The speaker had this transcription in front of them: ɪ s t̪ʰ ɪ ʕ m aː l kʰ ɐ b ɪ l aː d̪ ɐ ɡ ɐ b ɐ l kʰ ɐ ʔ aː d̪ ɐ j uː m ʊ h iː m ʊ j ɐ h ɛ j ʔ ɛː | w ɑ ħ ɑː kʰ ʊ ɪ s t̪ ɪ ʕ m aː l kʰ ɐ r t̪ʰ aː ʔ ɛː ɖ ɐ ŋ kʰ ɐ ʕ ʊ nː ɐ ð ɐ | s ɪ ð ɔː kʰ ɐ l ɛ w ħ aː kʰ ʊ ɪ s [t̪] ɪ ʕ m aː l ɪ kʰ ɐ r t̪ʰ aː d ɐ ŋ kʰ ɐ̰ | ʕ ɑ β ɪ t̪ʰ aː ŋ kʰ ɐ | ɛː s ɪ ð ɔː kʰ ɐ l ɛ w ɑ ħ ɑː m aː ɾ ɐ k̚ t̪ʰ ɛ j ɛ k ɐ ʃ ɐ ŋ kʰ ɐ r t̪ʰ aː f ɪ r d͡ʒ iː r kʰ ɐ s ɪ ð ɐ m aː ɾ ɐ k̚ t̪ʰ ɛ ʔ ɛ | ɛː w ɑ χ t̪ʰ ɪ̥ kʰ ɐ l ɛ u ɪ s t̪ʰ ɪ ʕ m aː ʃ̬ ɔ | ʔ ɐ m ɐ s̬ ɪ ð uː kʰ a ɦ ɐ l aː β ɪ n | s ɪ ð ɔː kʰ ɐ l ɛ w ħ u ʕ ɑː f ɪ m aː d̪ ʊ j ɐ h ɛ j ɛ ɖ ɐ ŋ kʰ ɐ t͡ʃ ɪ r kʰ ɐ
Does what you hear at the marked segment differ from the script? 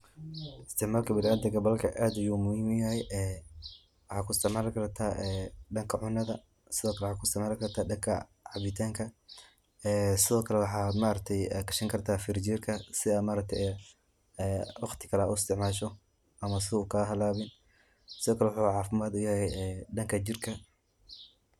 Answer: no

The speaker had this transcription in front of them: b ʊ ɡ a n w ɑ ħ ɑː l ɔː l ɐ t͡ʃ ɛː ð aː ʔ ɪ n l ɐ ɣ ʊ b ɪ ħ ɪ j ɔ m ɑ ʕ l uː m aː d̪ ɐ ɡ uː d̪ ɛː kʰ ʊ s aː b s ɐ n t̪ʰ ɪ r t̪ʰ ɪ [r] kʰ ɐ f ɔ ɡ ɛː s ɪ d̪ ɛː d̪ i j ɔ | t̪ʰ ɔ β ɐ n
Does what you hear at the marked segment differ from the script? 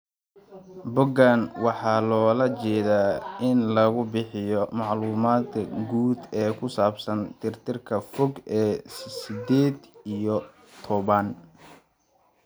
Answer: no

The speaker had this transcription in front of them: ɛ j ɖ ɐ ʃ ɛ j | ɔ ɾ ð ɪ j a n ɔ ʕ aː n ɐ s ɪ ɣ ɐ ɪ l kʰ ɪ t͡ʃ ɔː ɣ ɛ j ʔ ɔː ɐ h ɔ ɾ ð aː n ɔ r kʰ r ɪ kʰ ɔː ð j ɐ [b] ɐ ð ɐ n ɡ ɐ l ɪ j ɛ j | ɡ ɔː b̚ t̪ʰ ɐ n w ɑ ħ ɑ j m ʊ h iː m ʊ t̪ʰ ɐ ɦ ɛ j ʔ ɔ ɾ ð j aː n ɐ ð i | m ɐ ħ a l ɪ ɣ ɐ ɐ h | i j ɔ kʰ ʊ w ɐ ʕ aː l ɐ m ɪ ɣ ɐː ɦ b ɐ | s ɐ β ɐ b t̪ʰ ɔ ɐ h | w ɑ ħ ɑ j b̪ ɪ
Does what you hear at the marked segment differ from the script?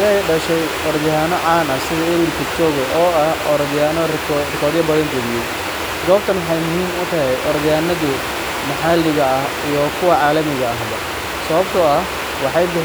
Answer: no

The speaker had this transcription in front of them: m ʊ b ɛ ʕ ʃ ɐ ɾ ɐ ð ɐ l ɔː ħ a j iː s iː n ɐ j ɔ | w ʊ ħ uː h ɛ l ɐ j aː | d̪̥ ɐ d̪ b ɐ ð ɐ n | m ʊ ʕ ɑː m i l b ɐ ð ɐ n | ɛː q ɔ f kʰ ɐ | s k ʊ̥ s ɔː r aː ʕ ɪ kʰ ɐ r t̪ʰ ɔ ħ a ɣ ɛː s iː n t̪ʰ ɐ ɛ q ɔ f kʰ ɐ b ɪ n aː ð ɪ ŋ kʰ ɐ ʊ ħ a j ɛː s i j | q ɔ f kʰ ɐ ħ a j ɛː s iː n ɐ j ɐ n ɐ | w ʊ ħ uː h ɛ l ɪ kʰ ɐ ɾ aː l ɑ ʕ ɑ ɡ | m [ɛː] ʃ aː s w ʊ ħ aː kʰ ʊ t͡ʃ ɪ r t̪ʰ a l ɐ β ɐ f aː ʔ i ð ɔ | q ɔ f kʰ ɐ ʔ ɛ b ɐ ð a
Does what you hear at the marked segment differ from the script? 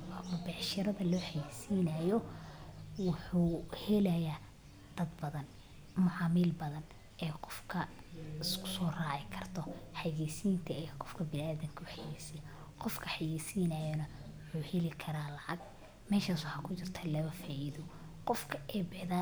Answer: no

